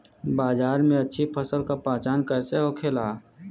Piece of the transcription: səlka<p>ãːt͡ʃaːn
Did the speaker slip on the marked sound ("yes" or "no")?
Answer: no